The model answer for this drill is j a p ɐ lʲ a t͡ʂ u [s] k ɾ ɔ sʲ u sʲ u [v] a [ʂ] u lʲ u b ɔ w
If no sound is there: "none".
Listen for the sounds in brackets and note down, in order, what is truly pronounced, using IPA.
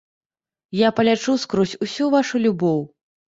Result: s, v, ʂ

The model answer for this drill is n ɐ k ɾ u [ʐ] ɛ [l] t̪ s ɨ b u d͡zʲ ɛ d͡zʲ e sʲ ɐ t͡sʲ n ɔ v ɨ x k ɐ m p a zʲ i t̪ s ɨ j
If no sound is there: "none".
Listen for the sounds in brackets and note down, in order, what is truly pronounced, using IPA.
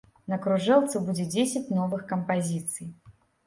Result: ʐ, l

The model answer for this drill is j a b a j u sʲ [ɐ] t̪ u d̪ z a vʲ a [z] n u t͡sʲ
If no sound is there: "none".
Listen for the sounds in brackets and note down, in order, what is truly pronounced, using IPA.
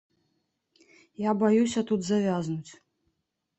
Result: ɐ, z

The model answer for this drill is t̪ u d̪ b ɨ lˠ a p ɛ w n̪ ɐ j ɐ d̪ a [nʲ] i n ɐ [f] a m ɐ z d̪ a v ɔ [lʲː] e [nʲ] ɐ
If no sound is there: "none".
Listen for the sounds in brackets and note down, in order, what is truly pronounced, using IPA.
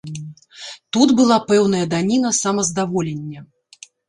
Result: nʲ, s, lʲ, nʲː

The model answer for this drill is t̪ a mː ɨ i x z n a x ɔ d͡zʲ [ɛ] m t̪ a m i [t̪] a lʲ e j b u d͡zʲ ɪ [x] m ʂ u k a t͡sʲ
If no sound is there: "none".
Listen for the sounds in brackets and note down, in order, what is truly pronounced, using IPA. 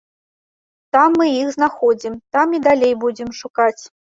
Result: i, d̪, none

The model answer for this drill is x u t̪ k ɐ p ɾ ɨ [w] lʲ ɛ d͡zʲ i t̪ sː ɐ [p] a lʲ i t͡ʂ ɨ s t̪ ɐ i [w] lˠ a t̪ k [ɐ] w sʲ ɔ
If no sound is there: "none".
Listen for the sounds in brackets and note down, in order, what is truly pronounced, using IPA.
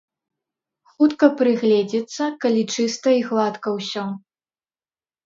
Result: ɣ, k, ɣ, ɐ

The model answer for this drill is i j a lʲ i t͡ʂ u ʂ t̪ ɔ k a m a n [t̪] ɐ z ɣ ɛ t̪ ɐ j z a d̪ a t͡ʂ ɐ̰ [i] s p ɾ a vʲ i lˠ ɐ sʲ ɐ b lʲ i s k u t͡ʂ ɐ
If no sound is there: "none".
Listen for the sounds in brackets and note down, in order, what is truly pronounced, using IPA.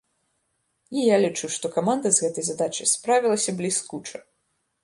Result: d̪, j

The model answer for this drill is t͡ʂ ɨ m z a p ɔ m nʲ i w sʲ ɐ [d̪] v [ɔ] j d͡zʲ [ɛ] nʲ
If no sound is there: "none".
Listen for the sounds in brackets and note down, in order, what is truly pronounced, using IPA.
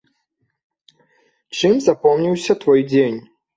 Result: t̪, ɔ, e

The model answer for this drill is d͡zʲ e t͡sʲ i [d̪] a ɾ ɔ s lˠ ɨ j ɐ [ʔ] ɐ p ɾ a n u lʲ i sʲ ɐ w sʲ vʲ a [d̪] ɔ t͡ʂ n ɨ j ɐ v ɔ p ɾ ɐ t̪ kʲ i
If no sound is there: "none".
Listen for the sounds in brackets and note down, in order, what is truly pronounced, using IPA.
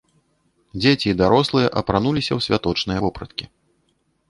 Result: d̪, ʔ, t̪

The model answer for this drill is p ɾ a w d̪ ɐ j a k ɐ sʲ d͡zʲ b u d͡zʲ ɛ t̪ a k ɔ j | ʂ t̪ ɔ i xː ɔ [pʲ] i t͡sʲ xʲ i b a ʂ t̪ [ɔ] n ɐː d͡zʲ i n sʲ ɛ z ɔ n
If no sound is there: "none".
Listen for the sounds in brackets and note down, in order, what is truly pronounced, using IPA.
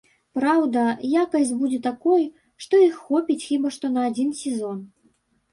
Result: pʲ, ɔ

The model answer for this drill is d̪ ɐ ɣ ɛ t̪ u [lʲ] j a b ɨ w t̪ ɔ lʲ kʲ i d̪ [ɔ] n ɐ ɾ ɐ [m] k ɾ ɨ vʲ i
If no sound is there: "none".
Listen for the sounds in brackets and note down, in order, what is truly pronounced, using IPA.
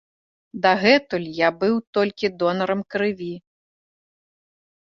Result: lʲ, ɔ, m

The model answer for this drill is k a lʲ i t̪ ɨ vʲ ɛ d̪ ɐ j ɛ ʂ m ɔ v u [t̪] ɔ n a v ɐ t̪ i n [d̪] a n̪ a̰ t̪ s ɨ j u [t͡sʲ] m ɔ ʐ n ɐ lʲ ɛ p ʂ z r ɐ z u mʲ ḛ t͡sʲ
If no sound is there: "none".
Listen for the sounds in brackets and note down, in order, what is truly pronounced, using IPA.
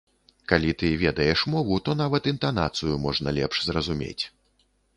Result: t̪, t̪, none

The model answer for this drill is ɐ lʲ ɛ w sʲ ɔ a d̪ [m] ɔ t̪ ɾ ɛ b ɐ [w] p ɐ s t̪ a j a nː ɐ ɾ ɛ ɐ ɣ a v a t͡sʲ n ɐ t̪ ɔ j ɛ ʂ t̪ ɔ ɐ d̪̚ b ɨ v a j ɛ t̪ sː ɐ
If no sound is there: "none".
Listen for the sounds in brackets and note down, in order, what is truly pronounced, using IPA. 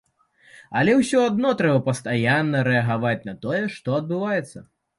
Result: n, none

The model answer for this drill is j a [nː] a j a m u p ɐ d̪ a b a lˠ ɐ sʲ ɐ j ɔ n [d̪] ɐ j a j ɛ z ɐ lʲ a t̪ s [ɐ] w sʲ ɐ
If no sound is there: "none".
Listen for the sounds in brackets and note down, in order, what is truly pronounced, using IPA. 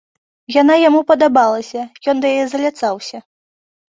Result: n, d̪, a

